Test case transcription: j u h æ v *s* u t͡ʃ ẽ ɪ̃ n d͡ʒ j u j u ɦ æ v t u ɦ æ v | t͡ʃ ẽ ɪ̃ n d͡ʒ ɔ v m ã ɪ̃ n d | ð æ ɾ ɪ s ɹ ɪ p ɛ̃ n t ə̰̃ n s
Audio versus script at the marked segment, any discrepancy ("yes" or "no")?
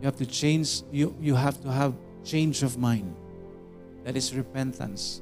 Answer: yes